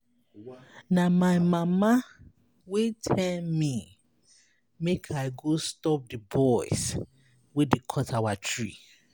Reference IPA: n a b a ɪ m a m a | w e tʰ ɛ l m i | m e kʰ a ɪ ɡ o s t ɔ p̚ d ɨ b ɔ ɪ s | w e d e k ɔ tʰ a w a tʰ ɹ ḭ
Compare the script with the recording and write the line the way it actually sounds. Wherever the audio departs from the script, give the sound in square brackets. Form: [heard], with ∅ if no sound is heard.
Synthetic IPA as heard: n a [m] a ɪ m a m a | w e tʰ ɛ l m i | m e kʰ a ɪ ɡ o s t ɔ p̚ d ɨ b ɔ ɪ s | w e d e [kʰ] ɔ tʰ a w a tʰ ɹ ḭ